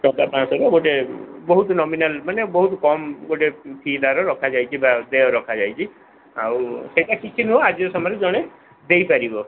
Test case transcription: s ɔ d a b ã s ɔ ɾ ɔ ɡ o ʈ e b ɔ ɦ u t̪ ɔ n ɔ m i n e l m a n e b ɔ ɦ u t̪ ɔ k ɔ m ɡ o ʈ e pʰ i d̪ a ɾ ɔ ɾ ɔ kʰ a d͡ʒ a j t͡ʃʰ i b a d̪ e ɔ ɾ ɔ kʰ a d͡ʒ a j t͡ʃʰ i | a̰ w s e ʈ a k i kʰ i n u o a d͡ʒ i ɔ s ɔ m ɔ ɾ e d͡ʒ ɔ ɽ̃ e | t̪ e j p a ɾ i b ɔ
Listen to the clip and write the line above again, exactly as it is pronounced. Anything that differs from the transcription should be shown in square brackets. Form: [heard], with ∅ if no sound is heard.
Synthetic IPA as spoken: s ɔ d a [p] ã s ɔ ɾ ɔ ɡ o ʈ e b ɔ ɦ u t̪ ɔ n ɔ m i n [a] l m a n e b ɔ ɦ u t̪ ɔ k ɔ m ɡ o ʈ e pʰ i d̪ a ɾ ɔ ɾ ɔ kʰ a d͡ʒ a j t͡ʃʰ i b a d̪ e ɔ ɾ ɔ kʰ a d͡ʒ a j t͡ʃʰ i | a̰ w s e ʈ a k i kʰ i n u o a d͡ʒ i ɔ s ɔ m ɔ ɾ e d͡ʒ ɔ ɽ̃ e | [d̪] e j p a ɾ i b ɔ